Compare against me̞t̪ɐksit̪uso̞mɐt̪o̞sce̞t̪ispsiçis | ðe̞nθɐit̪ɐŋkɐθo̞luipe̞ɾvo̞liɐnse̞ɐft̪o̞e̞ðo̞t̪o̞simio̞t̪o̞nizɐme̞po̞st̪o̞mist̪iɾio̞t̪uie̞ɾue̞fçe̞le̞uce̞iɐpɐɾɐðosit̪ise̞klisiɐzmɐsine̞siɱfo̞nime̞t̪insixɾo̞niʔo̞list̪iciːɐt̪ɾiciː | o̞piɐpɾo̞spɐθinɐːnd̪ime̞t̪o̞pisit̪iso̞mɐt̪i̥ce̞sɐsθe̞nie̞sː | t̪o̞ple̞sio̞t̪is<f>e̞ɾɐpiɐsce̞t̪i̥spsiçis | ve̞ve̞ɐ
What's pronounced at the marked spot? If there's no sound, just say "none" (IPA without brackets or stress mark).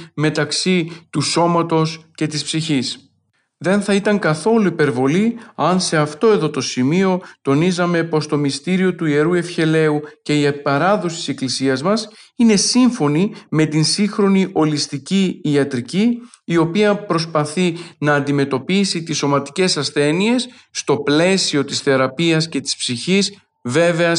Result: θ